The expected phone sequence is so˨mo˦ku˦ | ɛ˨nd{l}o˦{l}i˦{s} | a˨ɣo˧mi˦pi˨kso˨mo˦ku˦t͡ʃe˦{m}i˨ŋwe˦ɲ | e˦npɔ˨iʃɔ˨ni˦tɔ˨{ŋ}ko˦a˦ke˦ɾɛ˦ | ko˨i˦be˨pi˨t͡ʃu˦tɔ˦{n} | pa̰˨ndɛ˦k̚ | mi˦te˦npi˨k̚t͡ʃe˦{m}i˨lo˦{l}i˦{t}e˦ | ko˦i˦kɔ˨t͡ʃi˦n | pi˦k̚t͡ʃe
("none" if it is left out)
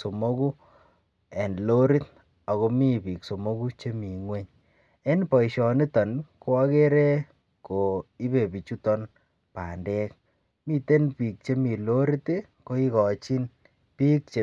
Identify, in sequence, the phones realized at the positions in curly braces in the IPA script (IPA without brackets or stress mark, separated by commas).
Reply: l, ɾ, t, m, n, n, m, ɾ, t